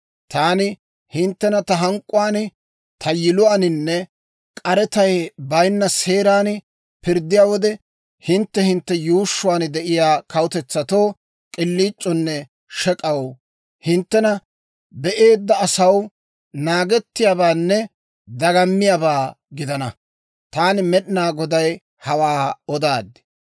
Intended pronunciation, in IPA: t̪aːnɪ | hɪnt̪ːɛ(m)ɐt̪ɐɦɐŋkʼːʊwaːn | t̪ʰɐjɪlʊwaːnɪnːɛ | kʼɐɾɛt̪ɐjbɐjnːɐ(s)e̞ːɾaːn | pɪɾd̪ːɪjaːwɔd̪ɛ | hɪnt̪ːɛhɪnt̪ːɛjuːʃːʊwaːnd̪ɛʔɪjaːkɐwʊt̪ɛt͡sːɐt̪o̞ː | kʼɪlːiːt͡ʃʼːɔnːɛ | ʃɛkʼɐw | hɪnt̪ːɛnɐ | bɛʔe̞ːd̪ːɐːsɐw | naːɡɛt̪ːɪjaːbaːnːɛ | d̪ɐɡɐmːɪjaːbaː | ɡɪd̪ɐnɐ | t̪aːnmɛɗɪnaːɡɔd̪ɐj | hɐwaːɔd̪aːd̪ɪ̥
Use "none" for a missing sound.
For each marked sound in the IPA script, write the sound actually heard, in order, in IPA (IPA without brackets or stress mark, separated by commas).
n, s